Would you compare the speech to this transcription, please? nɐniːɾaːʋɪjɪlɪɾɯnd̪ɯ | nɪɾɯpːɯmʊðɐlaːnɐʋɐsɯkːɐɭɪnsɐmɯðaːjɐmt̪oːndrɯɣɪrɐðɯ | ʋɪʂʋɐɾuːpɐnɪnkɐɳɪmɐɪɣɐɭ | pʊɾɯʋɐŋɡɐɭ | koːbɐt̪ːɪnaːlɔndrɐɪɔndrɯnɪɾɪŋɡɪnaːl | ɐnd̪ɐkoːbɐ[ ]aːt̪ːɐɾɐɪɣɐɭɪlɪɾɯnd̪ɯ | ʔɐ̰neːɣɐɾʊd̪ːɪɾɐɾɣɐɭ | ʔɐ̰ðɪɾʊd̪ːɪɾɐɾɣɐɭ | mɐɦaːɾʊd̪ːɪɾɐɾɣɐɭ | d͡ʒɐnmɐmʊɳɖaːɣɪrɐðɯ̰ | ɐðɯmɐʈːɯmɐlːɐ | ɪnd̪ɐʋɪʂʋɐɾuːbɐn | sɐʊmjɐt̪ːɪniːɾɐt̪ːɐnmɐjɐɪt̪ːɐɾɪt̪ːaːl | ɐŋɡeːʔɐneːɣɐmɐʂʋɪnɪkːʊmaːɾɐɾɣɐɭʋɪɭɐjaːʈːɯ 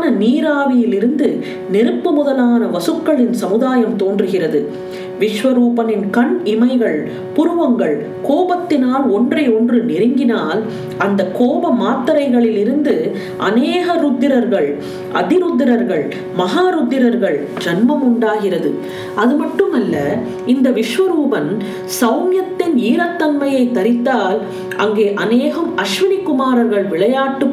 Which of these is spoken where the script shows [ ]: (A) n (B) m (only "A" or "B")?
B